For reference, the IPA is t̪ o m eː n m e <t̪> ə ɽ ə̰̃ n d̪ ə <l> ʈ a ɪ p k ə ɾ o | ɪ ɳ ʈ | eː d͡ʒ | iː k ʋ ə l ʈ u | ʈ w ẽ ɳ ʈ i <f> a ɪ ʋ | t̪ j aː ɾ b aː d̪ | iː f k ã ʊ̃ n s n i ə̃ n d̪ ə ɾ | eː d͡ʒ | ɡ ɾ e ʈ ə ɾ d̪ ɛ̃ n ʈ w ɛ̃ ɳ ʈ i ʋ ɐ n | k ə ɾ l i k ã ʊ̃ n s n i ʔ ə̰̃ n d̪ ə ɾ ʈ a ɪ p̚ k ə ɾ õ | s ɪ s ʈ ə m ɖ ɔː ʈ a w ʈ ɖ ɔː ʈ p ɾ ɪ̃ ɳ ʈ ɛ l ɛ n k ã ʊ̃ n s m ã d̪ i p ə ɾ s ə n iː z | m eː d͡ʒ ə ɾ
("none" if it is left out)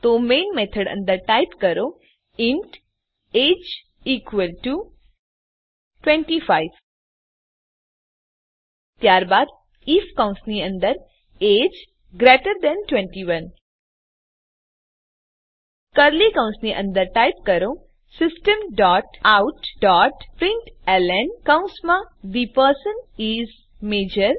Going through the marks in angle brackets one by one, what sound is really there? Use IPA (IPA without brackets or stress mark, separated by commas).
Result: t̪ʰ, ɾ, f